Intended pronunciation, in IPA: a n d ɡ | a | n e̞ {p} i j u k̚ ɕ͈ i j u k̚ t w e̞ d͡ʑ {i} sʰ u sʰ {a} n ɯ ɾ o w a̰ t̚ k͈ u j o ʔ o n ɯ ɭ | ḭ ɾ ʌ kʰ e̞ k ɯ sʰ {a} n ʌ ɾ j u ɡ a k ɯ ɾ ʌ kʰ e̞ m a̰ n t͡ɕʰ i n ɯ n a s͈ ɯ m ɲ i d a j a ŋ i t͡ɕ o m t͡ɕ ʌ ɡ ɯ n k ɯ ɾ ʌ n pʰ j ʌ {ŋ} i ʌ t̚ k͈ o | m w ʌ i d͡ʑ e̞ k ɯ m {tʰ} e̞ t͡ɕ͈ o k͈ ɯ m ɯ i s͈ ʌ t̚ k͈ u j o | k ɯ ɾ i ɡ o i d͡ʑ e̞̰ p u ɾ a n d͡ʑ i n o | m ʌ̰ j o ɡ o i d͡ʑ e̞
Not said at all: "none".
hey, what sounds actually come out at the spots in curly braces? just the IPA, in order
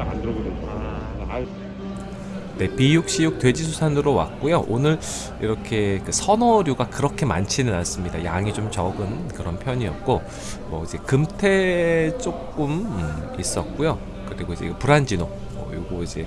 p, i, a, ʌ, ɲ, tʰ

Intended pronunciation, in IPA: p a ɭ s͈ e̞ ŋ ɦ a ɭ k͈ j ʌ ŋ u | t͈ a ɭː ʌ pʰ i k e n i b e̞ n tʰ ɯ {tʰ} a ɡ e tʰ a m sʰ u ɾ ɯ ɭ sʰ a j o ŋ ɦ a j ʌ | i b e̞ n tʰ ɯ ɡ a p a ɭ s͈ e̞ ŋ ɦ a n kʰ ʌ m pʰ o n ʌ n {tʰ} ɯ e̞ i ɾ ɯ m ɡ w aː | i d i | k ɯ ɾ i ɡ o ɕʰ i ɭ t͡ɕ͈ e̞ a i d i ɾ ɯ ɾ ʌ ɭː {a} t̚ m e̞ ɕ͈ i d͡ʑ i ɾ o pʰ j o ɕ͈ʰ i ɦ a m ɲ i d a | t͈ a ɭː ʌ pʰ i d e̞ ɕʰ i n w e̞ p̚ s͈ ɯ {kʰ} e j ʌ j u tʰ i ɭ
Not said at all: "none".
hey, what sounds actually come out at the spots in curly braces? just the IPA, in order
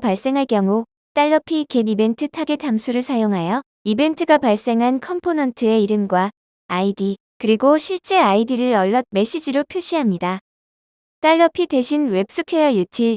tʰ, tʰ, ʌ, kʰ

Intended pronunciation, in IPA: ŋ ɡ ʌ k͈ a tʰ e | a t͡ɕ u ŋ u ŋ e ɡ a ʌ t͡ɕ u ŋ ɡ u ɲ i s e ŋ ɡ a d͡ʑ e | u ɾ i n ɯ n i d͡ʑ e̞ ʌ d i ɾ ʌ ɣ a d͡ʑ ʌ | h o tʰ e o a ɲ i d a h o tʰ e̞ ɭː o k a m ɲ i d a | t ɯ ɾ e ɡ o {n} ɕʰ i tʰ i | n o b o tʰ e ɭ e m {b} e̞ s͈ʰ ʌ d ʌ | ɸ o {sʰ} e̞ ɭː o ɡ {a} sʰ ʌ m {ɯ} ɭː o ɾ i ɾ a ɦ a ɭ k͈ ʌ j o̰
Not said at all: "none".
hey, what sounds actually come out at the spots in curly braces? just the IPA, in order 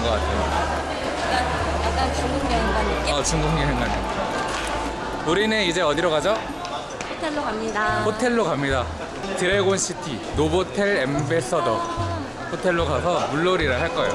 n, b, tʰ, a, u

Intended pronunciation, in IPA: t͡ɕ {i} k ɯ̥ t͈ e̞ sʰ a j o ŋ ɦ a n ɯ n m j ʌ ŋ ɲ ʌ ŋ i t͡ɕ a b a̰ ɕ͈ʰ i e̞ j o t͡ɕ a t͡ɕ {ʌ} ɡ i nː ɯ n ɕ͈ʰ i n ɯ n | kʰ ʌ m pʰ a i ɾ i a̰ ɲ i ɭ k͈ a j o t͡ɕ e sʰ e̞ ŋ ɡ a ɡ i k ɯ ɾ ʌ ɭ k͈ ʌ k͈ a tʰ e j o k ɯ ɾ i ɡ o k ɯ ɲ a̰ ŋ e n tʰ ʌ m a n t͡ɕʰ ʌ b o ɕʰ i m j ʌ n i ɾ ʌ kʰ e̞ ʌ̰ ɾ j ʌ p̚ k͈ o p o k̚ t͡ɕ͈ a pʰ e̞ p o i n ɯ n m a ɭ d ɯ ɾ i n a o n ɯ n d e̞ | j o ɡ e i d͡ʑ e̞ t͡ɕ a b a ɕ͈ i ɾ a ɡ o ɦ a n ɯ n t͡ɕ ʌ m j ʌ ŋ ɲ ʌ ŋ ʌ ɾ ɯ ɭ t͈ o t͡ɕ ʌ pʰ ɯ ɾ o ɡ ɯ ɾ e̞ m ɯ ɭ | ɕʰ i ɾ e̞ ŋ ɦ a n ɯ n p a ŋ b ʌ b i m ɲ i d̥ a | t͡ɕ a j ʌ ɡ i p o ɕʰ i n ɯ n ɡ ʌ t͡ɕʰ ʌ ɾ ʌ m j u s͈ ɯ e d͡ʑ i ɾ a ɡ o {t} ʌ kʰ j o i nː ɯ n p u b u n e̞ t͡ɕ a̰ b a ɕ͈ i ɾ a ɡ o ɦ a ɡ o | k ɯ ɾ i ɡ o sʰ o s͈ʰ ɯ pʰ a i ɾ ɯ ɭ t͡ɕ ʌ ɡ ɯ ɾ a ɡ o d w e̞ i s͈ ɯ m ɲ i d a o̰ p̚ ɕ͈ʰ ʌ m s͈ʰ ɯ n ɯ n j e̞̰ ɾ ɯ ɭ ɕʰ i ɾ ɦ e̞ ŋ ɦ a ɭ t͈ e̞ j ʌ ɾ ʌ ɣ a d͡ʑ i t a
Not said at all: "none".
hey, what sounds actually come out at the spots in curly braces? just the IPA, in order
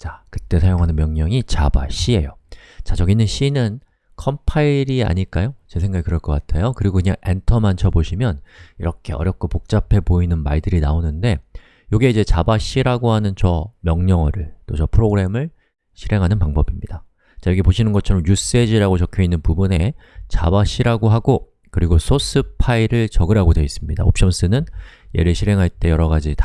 a, ʌ, t͡ɕ

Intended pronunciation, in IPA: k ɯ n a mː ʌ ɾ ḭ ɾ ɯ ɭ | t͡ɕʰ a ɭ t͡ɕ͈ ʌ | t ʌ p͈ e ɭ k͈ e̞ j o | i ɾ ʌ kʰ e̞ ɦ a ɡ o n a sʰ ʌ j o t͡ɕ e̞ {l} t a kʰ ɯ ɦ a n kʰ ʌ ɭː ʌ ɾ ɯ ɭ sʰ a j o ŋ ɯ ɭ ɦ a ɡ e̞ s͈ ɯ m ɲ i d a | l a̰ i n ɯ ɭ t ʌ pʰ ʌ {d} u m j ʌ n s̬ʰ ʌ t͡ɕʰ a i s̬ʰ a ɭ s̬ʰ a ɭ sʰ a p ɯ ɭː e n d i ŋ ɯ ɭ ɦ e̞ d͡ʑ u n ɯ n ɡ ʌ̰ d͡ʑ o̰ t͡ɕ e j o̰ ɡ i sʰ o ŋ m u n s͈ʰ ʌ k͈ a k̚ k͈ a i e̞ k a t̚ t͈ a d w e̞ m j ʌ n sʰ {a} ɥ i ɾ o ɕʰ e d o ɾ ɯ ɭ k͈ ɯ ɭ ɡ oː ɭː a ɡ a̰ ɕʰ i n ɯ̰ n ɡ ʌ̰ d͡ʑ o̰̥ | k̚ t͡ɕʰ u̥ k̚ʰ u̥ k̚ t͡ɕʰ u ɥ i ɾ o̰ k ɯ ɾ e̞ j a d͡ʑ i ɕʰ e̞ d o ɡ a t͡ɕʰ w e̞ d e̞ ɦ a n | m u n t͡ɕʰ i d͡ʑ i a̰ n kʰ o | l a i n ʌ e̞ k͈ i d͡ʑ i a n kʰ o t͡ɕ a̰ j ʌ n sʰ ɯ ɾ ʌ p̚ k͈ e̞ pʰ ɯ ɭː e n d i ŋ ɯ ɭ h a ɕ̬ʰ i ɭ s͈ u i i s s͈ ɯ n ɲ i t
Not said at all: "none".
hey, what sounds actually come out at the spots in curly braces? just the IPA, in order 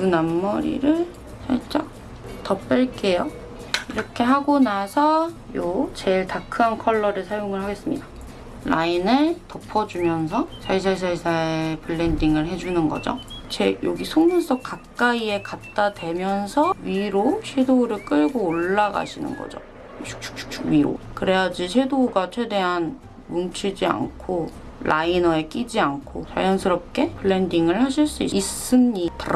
ɭ, d͡ʑ, ʌ

